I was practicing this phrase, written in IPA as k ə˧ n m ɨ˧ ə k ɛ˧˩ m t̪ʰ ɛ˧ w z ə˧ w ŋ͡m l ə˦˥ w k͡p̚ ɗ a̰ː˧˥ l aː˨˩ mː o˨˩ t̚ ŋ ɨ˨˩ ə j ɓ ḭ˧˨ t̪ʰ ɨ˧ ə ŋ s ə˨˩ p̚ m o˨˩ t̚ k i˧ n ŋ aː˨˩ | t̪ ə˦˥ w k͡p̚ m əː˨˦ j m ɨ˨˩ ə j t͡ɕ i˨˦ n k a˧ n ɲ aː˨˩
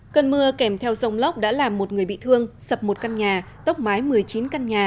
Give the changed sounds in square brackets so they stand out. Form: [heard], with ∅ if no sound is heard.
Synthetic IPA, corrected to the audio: k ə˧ n m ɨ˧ ə k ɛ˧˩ m t̪ʰ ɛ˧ w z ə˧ w ŋ͡m l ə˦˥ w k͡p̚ ɗ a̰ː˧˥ l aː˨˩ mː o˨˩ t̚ ŋ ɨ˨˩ ə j ɓ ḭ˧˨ t̪ʰ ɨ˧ ə ŋ s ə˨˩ p̚ m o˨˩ t̚ k [a˧] n [ɲ] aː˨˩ | t̪ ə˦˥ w k͡p̚ m [aː˨˦] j m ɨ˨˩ ə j t͡ɕ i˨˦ n k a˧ n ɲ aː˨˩